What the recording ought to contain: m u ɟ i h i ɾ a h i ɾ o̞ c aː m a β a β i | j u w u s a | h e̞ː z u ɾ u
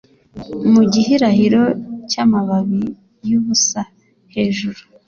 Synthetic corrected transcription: m u ɟ i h i ɾ a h i ɾ o̞ c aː m a β a β i | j u β u s a | h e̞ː ʒ u ɾ u